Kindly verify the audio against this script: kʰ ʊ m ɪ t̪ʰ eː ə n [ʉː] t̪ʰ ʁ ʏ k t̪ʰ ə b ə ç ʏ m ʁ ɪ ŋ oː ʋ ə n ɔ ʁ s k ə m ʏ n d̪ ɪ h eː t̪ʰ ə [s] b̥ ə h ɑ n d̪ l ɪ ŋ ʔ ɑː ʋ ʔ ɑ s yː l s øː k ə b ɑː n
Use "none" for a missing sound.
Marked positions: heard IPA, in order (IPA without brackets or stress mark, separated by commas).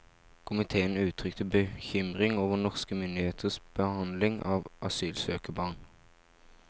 ʉː, s